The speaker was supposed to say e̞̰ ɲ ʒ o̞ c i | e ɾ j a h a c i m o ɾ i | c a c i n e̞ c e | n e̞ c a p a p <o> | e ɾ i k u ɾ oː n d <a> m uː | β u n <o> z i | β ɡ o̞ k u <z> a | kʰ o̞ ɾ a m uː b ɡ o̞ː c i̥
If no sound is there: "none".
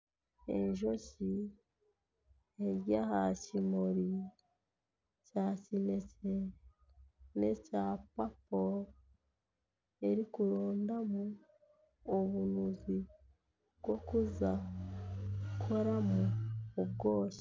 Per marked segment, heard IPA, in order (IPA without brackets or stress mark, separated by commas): o, a, u, z